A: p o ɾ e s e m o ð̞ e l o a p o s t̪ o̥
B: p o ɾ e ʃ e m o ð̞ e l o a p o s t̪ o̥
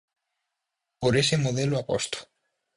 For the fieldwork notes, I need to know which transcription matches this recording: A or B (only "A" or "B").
A